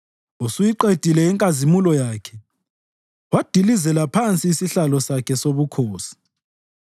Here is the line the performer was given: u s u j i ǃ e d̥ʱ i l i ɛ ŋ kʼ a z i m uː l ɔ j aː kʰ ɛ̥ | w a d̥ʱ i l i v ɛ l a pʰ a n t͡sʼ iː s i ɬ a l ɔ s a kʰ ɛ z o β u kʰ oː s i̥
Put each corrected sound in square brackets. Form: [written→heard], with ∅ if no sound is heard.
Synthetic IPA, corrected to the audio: u s u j i ǃ e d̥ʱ i l [i→ɛ] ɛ ŋ kʼ a z i m [uː→u] l ɔ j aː kʰ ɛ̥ | w a d̥ʱ i l i [v→z] ɛ l a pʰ a n t͡sʼ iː s i ɬ a l ɔ s a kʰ ɛ [z→s] o β u kʰ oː s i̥